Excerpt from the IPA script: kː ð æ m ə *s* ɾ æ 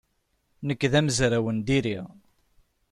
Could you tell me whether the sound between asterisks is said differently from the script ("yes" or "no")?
yes